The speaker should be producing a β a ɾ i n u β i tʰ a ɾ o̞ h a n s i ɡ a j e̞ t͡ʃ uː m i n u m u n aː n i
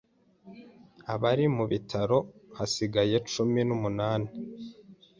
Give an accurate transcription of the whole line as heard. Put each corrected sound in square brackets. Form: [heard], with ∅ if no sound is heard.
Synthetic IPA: a β a ɾ i [m] u β i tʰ a ɾ o̞ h a [∅] s i ɡ a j e̞ t͡ʃ [u] m i n u m u n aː n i